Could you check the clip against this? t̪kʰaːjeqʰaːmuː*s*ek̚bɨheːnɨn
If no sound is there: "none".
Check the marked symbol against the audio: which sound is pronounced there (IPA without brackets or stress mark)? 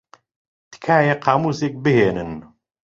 s